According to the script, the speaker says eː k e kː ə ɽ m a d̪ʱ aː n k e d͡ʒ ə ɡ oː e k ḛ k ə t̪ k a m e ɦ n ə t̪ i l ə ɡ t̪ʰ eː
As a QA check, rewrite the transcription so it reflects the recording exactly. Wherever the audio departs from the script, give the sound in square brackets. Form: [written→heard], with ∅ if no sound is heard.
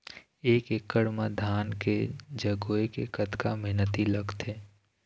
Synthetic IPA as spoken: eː k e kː ə ɽ m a d̪ʱ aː n k e d͡ʒ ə ɡ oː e k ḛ k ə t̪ k a m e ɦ n ə t̪ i l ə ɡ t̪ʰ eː